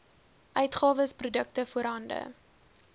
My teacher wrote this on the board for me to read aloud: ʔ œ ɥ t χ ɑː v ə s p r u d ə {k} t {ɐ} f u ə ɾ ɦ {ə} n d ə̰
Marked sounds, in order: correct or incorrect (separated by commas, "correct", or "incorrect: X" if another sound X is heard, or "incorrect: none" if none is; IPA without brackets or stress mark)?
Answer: correct, incorrect: ə, incorrect: ɐ